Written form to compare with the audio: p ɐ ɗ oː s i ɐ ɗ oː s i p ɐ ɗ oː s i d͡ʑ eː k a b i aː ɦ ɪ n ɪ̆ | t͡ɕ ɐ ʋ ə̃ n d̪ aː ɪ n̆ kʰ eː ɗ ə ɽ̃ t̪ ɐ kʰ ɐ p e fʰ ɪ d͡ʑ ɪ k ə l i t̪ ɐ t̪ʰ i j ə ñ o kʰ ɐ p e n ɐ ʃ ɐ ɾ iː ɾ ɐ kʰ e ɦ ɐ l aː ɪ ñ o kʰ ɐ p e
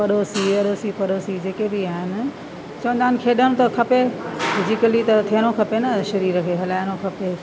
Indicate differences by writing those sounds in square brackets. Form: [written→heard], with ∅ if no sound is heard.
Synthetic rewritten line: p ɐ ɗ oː s i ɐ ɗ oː s i p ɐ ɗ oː s i d͡ʑ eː k [a→e] b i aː ɦ ɪ n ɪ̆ | t͡ɕ ɐ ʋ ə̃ n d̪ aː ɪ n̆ kʰ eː ɗ ə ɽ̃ t̪ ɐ kʰ ɐ p e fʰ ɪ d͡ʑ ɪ k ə l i t̪ ɐ t̪ʰ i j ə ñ o kʰ ɐ p e n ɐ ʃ ɐ ɾ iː ɾ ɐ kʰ e ɦ ɐ l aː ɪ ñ o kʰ ɐ p e